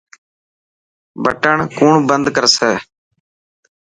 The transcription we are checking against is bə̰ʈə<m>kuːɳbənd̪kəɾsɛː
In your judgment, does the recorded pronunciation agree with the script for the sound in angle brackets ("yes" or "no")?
no